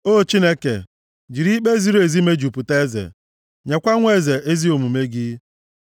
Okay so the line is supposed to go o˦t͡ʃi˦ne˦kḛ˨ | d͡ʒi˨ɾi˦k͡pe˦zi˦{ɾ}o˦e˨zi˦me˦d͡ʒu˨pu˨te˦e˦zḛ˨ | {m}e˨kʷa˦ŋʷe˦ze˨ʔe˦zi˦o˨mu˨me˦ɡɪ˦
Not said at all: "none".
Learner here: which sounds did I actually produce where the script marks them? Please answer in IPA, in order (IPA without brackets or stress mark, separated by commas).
ɾ, ɲ